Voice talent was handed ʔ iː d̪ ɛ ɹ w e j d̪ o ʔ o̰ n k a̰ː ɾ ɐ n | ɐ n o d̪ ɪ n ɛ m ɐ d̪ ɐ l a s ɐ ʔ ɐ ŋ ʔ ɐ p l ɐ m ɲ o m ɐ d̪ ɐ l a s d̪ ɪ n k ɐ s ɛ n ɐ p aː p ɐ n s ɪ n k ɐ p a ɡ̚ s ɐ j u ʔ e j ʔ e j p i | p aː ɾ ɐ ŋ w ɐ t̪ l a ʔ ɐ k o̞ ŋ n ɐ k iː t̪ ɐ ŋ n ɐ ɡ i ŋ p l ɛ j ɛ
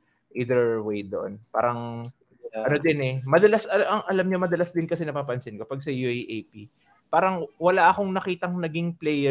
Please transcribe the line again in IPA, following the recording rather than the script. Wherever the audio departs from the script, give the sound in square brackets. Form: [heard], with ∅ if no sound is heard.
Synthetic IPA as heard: ʔ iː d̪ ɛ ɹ w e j d̪ o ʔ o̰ n [p] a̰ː ɾ ɐ [ŋ] | ɐ n o d̪ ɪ n ɛ m ɐ d̪ ɐ l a s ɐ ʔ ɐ ŋ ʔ ɐ [∅] l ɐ m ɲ o m ɐ d̪ ɐ l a s d̪ ɪ n k ɐ s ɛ n ɐ p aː p ɐ n s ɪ n k ɐ p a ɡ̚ s ɐ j u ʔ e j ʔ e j p i | p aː ɾ ɐ ŋ w ɐ [∅] l a ʔ ɐ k o̞ ŋ n ɐ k iː t̪ ɐ ŋ n ɐ ɡ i ŋ p l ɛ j ɛ